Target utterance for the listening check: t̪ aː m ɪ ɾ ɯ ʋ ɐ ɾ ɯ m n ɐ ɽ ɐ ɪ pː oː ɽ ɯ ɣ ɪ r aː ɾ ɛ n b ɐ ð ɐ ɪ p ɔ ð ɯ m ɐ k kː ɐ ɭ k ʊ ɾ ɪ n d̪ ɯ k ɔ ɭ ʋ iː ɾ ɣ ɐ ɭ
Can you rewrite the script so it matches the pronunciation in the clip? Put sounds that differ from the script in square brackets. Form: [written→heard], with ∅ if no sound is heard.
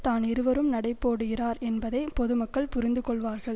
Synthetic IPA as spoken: t̪ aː [m→n] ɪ ɾ ɯ ʋ ɐ ɾ ɯ m n ɐ ɽ ɐ ɪ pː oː ɽ ɯ ɣ ɪ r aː ɾ ɛ n b ɐ ð ɐ ɪ p ɔ ð ɯ m ɐ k kː ɐ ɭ [k→p] ʊ ɾ ɪ n d̪ ɯ k ɔ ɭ ʋ [iː→aː] ɾ ɣ ɐ ɭ

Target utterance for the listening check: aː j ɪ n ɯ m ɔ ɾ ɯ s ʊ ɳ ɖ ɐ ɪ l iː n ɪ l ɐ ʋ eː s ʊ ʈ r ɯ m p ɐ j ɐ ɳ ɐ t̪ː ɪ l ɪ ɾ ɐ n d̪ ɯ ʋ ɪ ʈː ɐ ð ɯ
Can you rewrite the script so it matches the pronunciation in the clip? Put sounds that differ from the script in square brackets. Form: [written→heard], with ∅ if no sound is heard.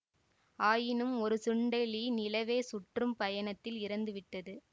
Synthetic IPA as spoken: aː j ɪ n ɯ m ɔ ɾ ɯ s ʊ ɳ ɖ ɐ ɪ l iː n ɪ l ɐ ʋ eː s ʊ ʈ r ɯ m p ɐ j ɐ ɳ ɐ t̪ː ɪ l ɪ ɾ ɐ n d̪ ɯ ʋ ɪ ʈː ɐ ð ɯ

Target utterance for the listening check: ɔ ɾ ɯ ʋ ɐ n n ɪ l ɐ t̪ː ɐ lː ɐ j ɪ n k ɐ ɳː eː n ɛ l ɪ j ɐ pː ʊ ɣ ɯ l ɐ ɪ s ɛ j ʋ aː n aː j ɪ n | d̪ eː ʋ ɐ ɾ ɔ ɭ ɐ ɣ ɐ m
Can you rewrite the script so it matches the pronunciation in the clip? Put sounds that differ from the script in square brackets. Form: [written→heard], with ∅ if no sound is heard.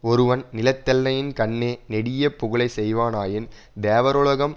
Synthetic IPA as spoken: ɔ ɾ ɯ ʋ ɐ n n ɪ l ɐ t̪ː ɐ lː ɐ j ɪ n k ɐ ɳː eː n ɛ [l→ɽ] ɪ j ɐ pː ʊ ɣ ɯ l ɐ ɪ s ɛ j ʋ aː n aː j ɪ n | d̪ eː ʋ ɐ ɾ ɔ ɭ ɐ ɣ ɐ m

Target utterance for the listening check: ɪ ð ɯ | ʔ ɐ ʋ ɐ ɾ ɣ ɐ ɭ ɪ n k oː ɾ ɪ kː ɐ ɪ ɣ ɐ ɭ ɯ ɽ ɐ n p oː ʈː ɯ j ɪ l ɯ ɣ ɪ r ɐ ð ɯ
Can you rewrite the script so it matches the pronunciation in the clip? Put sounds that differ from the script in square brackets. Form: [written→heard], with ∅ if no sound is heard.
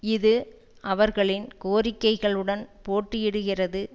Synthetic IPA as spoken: ɪ ð ɯ | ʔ ɐ ʋ ɐ ɾ ɣ ɐ ɭ ɪ n k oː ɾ ɪ kː ɐ ɪ ɣ ɐ ɭ ɯ ɽ ɐ n p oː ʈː ɯ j ɪ [l→ɽ] ɯ ɣ ɪ r ɐ ð ɯ

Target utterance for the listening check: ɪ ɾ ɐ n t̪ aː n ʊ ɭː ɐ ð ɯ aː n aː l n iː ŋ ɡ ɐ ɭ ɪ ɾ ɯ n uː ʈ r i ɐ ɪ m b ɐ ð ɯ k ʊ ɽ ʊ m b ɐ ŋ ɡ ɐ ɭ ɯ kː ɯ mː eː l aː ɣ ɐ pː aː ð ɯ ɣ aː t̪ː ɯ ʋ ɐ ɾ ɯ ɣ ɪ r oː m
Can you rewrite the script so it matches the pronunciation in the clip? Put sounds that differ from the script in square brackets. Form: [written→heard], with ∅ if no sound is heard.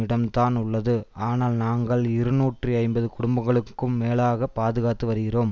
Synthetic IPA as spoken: ɪ [ɾ→ɽ] ɐ [n→m] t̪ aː n ʊ ɭː ɐ ð ɯ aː n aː l n [iː→aː] ŋ ɡ ɐ ɭ ɪ ɾ ɯ n uː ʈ r i ɐ ɪ m b ɐ ð ɯ k ʊ ɽ ʊ m b ɐ ŋ ɡ ɐ ɭ ɯ kː ɯ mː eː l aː ɣ ɐ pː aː ð ɯ ɣ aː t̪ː ɯ ʋ ɐ ɾ ɯ ɣ ɪ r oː m

